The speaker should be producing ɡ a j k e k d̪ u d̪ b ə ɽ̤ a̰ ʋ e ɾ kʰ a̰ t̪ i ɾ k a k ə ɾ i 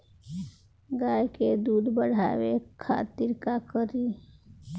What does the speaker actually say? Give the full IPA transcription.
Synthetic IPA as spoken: ɡ a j k e d̪ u d̪ b ə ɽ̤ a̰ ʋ e kʰ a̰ t̪ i ɾ k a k ə ɾ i